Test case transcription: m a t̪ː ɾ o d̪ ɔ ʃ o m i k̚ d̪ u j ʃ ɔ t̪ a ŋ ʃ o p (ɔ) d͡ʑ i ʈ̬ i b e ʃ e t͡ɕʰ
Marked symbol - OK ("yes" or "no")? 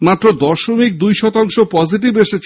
yes